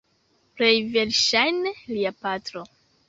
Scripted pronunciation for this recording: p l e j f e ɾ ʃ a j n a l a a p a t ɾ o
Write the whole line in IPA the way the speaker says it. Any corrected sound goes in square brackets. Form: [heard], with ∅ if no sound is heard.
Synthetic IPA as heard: p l e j [v] e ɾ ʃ a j n [e] l [i] a p a t ɾ o